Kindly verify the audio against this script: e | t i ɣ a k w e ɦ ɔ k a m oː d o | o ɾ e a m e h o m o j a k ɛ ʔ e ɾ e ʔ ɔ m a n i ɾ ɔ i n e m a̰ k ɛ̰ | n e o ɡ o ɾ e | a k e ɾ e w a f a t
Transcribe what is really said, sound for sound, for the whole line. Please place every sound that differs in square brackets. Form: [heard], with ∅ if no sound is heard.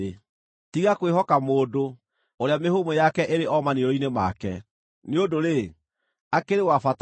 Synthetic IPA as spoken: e | t i ɣ a k w e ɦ ɔ k a m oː d o | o ɾ e a m e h o m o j a k ɛ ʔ e ɾ e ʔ ɔ m a n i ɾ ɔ i n e m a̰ k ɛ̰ | n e o [d] o ɾ e | a k e ɾ e w a f a t